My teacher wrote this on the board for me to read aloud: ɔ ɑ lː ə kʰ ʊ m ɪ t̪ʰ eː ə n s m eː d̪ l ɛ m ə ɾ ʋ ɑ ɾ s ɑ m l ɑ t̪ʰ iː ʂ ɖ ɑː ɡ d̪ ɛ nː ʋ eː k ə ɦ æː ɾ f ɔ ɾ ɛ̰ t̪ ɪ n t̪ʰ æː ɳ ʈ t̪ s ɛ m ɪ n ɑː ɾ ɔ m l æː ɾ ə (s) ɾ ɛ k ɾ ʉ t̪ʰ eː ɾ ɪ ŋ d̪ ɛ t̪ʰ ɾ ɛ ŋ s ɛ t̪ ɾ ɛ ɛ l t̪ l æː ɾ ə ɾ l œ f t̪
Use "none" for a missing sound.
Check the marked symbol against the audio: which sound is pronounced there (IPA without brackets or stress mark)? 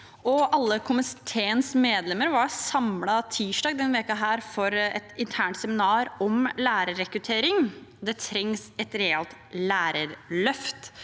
none